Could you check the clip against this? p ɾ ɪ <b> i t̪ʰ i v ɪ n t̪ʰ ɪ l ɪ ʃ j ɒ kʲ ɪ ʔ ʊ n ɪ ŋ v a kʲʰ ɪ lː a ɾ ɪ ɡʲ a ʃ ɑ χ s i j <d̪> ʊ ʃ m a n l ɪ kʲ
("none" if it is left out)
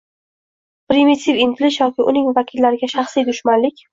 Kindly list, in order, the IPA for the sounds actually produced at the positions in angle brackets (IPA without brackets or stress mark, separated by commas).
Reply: m, d̪